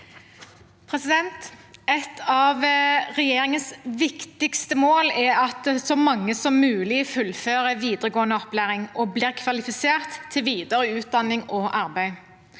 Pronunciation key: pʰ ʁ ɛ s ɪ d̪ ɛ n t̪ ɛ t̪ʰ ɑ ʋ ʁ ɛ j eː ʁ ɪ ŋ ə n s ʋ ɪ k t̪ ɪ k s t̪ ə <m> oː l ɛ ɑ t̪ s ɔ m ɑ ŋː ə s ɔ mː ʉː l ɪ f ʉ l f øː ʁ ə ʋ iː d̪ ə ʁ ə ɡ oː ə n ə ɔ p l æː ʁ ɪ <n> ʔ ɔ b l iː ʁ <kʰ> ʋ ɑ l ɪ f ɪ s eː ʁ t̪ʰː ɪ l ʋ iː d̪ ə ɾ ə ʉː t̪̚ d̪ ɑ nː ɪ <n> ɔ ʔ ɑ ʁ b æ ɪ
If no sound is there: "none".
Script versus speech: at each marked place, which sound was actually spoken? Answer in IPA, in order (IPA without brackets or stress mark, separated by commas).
m, ŋ, kʰ, ŋ